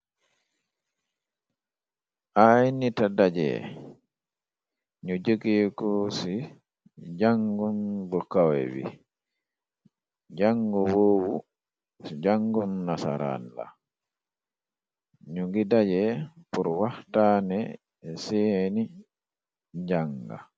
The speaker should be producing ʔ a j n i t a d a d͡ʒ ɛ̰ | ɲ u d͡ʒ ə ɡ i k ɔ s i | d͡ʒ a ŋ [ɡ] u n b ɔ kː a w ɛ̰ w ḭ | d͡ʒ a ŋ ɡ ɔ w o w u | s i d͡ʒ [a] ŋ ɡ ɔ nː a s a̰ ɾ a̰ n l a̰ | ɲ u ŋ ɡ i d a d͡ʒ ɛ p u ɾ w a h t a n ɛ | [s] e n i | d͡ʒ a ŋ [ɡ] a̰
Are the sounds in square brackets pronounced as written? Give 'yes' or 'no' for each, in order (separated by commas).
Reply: yes, yes, yes, yes